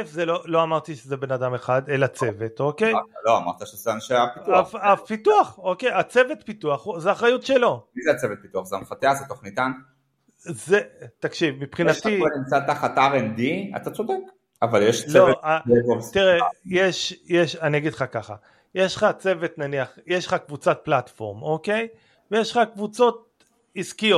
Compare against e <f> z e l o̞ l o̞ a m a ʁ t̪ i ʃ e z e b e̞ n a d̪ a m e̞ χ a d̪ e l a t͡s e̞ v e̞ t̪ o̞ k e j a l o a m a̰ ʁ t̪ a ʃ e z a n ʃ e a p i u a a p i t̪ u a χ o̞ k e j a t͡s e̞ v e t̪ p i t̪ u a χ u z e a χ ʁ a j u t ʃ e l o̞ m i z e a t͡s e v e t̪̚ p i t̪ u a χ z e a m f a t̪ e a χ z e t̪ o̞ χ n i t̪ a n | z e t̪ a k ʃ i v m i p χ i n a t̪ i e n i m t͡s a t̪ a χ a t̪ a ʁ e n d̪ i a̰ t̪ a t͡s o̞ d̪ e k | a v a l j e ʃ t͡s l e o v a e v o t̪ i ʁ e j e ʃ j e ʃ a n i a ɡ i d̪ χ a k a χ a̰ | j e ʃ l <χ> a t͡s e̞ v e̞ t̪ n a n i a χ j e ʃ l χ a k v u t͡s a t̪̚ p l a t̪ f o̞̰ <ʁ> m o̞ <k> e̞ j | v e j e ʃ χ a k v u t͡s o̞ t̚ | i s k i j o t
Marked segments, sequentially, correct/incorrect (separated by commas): correct, correct, correct, correct